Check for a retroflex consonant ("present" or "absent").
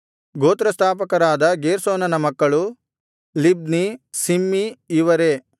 present